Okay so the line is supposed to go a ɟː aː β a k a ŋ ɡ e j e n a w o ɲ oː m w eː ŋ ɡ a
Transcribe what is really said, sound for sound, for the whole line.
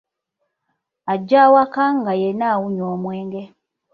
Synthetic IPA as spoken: a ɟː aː w a k a ŋ ɡ a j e n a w u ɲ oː m w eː ŋ ɡ e